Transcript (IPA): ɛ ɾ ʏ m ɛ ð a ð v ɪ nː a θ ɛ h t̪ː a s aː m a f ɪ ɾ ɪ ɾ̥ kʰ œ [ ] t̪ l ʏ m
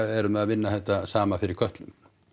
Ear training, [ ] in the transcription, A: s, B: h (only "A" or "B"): B